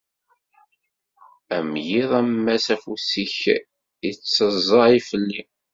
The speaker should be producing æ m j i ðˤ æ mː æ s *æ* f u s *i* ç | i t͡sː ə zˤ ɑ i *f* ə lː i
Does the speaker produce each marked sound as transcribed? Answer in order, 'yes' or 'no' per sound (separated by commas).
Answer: yes, yes, yes